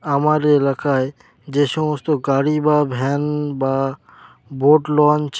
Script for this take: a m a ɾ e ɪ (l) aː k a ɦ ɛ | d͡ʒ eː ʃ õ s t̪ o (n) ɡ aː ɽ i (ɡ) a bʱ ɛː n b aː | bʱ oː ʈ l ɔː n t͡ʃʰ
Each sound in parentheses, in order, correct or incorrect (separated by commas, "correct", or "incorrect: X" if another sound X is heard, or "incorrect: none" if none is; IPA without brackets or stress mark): correct, incorrect: none, incorrect: b